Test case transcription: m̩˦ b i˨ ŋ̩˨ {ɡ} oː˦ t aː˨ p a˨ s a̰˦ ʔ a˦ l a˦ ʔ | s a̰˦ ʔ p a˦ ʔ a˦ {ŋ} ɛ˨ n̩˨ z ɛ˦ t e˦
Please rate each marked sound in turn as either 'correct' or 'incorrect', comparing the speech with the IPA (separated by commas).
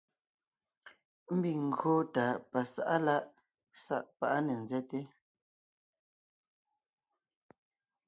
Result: correct, incorrect